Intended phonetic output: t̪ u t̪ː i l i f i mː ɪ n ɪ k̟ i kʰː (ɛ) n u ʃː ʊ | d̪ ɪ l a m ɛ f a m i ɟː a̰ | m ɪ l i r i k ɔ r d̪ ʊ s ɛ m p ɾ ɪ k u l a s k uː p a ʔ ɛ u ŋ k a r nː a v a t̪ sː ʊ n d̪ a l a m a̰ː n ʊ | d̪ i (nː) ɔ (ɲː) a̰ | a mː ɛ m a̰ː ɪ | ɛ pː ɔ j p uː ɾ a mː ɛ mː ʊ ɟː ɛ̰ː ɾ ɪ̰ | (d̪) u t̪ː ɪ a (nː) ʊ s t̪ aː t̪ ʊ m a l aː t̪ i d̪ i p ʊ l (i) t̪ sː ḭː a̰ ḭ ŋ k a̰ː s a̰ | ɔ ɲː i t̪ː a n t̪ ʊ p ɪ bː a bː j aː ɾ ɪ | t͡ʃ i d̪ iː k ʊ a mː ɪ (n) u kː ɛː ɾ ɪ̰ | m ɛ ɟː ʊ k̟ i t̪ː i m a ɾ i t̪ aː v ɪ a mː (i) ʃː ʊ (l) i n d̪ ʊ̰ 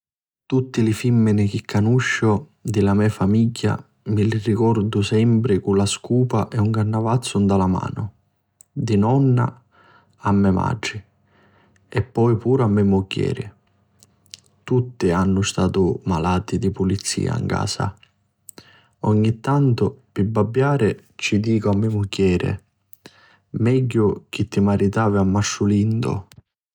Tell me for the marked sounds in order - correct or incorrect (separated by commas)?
incorrect, incorrect, incorrect, incorrect, correct, correct, incorrect, incorrect, correct